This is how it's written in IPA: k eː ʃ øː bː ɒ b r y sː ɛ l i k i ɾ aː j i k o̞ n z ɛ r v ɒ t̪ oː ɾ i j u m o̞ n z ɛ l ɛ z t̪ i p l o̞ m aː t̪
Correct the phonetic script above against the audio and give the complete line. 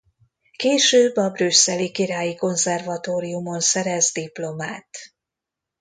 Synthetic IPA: k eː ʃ øː bː ɒ b r y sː ɛ l i k i ɾ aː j i k o̞ n z ɛ r v ɒ t̪ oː ɾ i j u m o̞ n s ɛ ɾ ɛ z d̪ i p l o̞ m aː t̪